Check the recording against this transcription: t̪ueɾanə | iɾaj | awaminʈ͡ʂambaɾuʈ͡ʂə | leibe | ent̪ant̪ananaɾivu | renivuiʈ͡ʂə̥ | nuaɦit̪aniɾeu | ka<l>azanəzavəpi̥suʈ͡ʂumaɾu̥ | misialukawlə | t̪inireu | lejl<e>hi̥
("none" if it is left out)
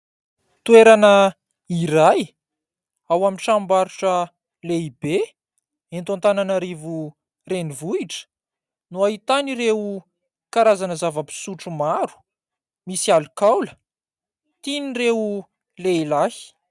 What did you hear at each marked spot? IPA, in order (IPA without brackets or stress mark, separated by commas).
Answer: ɾ, a